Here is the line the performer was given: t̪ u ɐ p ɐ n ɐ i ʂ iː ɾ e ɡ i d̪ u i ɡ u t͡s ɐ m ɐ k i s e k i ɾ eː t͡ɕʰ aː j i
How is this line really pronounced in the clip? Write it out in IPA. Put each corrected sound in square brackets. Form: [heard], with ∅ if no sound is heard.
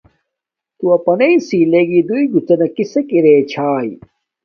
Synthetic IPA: t̪ u ɐ p ɐ n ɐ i [s] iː [l] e ɡ i d̪ u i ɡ u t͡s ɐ [n] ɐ k i s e k i ɾ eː t͡ɕʰ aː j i